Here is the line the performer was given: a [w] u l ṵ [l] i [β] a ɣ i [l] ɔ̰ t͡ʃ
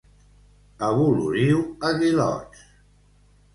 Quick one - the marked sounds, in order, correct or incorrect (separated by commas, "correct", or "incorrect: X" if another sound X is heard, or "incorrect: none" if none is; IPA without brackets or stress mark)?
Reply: incorrect: β, incorrect: ɾ, incorrect: w, correct